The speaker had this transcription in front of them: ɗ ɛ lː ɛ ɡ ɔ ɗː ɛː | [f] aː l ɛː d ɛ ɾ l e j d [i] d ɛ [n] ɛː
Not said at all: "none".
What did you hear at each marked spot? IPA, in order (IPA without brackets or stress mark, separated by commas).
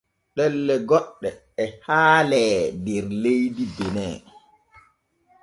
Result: h, i, n